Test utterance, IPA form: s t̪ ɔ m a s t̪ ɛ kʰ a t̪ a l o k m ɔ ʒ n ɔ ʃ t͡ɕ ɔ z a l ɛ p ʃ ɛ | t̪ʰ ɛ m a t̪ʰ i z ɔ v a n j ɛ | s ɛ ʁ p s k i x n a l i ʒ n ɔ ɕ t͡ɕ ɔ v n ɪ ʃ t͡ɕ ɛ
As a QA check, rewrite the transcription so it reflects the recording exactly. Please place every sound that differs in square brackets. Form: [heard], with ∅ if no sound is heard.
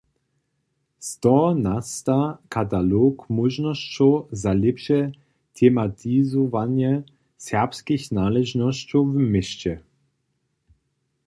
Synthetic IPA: s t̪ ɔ [n] a s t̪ [a] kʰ a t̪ a l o k m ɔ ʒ n ɔ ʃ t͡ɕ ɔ z a l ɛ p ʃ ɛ | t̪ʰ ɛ m a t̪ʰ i z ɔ v a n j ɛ | s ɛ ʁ p s k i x n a l [ɛ] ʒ n ɔ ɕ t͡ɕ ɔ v [m] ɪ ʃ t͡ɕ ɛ